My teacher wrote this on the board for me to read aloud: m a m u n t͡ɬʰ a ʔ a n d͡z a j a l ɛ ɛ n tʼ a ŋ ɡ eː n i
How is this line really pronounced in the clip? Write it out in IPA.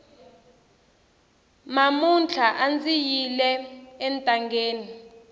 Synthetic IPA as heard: m a m u n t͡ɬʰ a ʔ a n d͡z i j i l ɛ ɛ n tʼ a ŋ ɡ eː n i